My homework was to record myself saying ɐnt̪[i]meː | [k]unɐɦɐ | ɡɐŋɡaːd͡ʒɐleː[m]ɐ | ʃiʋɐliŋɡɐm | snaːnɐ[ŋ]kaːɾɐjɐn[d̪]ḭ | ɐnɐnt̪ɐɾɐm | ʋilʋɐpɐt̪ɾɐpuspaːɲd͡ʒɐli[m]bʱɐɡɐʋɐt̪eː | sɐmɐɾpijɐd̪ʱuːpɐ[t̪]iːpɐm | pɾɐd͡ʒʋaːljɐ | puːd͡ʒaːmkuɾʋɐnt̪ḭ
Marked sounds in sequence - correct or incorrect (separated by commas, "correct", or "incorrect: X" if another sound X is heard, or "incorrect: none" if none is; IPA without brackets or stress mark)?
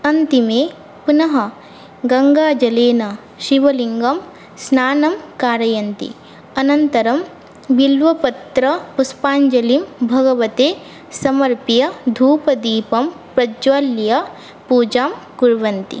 correct, incorrect: p, incorrect: n, incorrect: m, incorrect: t̪, correct, incorrect: d̪